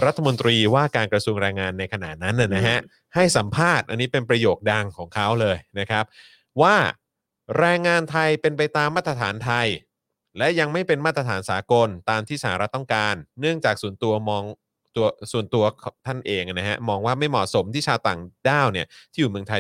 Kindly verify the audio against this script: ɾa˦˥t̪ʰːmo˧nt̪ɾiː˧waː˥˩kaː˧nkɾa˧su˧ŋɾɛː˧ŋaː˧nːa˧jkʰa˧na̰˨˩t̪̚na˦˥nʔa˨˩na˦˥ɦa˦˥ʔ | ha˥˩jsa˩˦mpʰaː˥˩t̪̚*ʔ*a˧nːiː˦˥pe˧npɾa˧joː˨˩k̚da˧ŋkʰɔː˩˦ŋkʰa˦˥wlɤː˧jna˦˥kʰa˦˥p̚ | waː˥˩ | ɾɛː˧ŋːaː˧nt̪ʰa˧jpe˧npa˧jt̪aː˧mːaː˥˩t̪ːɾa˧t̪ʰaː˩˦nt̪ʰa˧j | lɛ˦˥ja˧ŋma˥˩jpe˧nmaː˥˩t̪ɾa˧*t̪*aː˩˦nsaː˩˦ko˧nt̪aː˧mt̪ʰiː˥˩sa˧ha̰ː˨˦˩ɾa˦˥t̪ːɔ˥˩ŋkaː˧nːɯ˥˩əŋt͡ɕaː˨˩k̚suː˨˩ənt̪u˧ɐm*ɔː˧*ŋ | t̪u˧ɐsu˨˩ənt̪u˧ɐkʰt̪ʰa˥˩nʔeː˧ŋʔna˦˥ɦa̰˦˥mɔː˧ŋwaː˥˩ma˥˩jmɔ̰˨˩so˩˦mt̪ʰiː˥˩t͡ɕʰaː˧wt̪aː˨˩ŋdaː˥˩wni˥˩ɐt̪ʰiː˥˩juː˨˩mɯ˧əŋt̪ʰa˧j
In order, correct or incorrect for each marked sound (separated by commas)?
correct, incorrect, correct